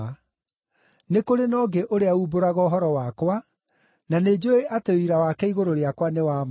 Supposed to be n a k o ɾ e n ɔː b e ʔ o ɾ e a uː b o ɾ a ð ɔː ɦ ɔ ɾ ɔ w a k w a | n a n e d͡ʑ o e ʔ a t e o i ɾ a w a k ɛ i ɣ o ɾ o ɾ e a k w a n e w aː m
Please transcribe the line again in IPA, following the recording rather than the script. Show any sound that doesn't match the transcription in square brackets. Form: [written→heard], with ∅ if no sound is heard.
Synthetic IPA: n [a→e] k o ɾ e n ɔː [b→ɡ] e ʔ o ɾ e a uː b o ɾ a [ð→ɣ] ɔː ɦ ɔ ɾ ɔ w a k w a | n a n e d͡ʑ o e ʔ a t e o i ɾ a w a k ɛ i ɣ o ɾ o ɾ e a k w a n e w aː m